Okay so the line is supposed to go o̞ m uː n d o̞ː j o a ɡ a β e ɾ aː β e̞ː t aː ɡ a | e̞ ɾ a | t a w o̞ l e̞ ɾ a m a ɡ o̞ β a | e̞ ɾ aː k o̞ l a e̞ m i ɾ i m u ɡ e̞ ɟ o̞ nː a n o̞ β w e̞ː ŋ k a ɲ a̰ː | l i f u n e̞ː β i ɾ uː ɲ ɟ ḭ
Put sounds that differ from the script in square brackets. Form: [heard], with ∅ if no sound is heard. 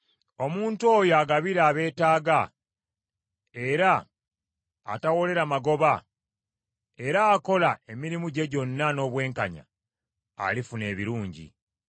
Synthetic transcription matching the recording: o̞ m uː n [t] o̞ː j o a ɡ a β [i] ɾ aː β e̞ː t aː ɡ a | e̞ ɾ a | t a w o̞ l e̞ ɾ a m a ɡ o̞ β a | e̞ ɾ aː k o̞ l a e̞ m i ɾ i m u [ɟ] e̞ ɟ o̞ nː a n o̞ β w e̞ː ŋ k a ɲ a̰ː | l i f u n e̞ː β i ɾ uː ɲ ɟ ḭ

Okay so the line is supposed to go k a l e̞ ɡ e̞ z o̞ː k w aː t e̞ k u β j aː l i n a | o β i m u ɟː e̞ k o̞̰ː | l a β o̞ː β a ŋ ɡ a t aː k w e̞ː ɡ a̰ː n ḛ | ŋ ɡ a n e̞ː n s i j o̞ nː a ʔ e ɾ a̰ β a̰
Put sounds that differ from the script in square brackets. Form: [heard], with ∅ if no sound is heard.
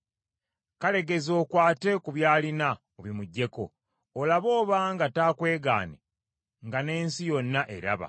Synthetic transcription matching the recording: k a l e̞ ɡ e̞ z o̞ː k w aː t e̞ k u β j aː l i n a | o β i m u ɟː e̞ k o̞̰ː | l a β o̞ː β a ŋ ɡ a t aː k w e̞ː ɡ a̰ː n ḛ | ŋ ɡ a n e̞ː n s i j o̞ nː a ʔ e ɾ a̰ β a̰

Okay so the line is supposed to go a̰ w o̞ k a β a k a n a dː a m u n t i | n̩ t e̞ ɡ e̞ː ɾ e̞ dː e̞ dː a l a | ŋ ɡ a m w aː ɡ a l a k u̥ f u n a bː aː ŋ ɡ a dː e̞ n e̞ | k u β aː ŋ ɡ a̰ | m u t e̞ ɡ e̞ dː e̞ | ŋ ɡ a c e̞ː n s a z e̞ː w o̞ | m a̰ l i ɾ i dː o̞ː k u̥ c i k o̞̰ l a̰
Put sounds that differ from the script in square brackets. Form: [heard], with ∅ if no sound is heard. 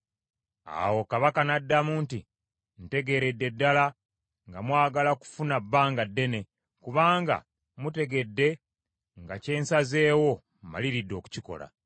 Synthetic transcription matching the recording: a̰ w o̞ k a β a k a n a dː a m u n t i | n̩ t e̞ ɡ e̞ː ɾ e̞ dː e̞ dː a l a | ŋ ɡ a m w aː ɡ a l a k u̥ f u n a bː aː ŋ ɡ a dː e̞ n e̞ | k u β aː ŋ ɡ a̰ | m u t e̞ ɡ e̞ dː e̞ | ŋ ɡ a c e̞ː n s a z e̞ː w o̞ | m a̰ l i ɾ i dː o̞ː k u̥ c i k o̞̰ l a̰

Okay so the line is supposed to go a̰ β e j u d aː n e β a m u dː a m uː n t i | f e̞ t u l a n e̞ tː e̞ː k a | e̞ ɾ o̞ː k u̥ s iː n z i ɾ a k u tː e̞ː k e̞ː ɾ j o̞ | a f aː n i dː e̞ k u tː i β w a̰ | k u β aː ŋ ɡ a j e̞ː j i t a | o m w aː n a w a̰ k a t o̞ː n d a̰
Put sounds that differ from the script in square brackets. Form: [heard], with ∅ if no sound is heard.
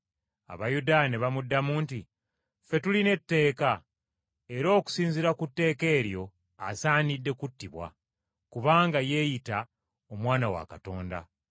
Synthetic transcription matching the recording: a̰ β [a] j u d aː n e β a m u dː a m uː n t i | f e̞ t u l [i] n e̞ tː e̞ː k a | e̞ ɾ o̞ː k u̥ s iː n z i ɾ a k u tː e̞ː k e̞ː ɾ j o̞ | a [s] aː n i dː e̞ k u tː i β w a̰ | k u β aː ŋ ɡ a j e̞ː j i t a | o m w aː n a w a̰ k a t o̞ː n d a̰

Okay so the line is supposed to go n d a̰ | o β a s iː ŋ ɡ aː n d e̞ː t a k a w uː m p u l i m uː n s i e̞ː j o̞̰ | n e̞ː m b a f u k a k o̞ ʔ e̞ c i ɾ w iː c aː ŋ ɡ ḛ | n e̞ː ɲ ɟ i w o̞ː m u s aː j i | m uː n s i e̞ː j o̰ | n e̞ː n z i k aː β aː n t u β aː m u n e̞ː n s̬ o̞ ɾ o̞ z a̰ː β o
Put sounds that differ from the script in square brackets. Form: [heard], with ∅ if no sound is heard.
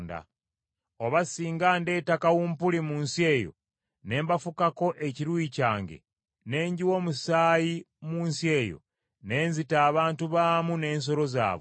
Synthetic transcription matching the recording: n d a̰ | o β a s iː ŋ ɡ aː n d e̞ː t a k a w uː m p u l i m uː n s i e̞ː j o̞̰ | n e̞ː m b a f u k a k o̞ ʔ e̞ c i ɾ w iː c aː ŋ ɡ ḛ | n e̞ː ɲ ɟ i w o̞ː m u s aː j i | m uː n s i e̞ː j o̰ | n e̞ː n z i [t] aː β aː n t u β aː m u n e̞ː n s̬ o̞ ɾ o̞ z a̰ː β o

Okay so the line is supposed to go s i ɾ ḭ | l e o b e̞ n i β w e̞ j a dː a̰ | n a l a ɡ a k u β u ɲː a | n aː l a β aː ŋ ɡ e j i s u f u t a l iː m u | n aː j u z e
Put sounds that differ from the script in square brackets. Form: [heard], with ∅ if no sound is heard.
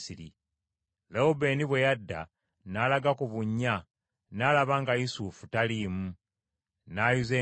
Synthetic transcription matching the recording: s i ɾ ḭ | l e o b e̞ n i β w e̞ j a dː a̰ | n a l a ɡ a k u β u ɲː a | n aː l a β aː ŋ ɡ [a] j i s u f u t a l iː m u | n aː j u z e

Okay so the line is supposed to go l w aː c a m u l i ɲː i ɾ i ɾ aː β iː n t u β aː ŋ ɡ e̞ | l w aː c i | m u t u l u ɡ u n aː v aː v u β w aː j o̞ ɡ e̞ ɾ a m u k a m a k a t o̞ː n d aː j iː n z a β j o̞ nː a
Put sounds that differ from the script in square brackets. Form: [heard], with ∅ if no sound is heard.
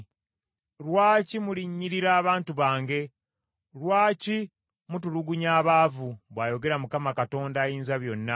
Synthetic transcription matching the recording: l w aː c [i] m u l i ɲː i ɾ i ɾ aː β [aː] n t u β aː ŋ ɡ e̞ | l w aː c i | m u t u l u ɡ u [ɲ] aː [β] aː v u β w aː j o̞ ɡ e̞ ɾ a m u k a m a k a t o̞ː n d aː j iː n z a β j o̞ nː a

